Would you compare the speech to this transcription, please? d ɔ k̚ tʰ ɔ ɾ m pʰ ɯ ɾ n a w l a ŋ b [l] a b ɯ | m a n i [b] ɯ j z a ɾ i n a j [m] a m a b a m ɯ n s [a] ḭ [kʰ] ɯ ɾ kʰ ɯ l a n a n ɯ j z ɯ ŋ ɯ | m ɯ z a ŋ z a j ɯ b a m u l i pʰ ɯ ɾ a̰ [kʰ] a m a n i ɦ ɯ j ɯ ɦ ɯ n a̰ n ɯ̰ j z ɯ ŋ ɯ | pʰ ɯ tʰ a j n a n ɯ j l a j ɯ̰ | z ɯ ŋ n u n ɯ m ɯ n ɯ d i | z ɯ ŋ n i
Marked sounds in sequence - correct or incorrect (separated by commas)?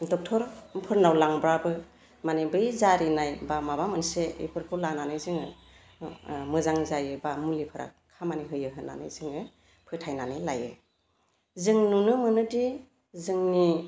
incorrect, correct, incorrect, incorrect, incorrect, correct